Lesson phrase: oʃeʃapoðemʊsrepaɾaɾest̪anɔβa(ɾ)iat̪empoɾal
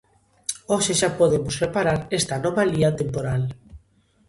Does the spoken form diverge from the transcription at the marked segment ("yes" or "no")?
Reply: yes